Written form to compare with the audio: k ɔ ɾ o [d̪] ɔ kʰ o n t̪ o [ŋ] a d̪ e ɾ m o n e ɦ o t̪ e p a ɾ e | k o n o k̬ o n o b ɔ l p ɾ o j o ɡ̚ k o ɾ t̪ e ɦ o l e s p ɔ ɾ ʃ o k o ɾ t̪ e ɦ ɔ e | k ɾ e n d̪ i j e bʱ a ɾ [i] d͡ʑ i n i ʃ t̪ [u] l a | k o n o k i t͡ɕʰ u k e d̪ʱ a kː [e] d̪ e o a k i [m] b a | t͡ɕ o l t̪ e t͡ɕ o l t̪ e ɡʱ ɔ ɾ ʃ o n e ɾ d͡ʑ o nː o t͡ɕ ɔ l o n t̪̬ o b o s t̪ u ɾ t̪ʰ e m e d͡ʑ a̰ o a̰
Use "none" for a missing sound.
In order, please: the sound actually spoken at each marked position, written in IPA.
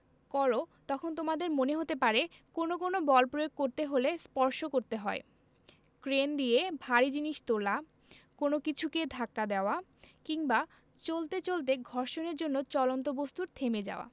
t̪, m, i, o, a, ŋ

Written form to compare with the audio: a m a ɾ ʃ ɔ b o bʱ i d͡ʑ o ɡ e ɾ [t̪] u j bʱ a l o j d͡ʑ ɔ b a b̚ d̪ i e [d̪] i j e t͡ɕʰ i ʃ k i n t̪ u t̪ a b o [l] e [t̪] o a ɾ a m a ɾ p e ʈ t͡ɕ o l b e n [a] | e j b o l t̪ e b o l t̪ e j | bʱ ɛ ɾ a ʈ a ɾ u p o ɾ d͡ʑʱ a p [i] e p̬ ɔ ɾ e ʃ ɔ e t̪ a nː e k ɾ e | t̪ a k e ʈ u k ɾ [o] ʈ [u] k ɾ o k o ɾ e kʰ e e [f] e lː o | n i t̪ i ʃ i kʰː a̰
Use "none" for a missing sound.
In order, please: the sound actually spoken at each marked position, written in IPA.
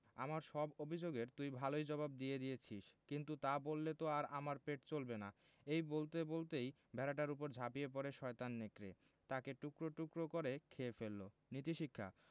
t̪, d̪, lː, t̪, a, i, o, u, f

